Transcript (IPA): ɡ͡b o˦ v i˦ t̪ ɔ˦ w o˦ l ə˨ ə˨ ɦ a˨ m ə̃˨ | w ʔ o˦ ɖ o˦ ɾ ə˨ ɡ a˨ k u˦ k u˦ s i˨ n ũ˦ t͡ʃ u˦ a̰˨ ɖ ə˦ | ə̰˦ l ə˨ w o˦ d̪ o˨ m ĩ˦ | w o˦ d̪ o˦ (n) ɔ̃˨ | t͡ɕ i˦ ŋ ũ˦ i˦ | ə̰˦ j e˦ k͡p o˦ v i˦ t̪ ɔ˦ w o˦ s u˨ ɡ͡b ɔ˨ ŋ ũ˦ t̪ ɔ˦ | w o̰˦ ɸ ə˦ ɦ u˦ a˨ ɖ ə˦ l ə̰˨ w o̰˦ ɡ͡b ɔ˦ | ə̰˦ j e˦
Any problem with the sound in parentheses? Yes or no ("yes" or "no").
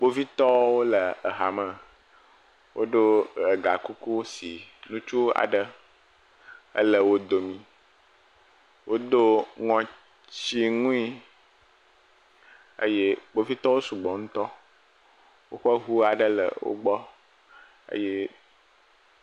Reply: yes